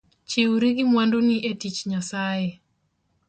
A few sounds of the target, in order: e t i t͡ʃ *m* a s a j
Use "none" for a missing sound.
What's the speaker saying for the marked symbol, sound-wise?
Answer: ɲ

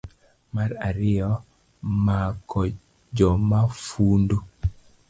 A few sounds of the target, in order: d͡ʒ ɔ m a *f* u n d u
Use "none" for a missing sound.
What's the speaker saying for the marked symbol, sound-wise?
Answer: f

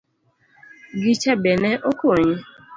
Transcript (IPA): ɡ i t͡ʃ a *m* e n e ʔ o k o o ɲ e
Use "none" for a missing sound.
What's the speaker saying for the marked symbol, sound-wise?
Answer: b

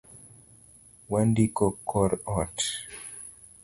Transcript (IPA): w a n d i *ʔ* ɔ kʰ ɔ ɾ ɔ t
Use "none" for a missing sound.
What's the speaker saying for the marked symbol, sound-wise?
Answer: k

